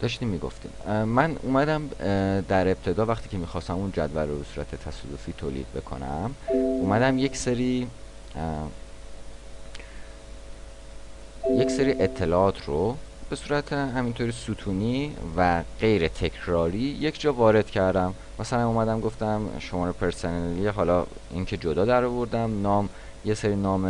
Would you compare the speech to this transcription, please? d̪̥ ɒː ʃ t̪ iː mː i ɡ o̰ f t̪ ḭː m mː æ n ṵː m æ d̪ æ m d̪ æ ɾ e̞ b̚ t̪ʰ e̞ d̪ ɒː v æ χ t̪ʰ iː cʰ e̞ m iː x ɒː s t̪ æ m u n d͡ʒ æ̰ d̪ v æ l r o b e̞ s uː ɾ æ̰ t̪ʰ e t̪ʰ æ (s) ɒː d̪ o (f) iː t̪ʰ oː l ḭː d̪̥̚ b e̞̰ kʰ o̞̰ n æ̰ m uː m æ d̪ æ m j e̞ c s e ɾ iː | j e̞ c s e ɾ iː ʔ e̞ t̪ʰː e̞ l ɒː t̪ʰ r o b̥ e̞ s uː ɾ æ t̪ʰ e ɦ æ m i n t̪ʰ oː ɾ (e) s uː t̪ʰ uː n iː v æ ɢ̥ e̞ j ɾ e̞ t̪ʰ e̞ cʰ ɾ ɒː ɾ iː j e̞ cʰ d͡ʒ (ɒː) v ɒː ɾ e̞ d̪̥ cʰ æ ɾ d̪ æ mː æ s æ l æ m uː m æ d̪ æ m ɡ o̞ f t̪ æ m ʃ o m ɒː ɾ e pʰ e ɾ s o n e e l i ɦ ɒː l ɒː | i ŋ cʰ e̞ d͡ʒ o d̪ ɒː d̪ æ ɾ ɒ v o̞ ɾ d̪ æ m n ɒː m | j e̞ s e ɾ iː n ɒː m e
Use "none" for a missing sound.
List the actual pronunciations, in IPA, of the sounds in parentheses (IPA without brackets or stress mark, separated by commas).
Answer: s, f, i, ɒː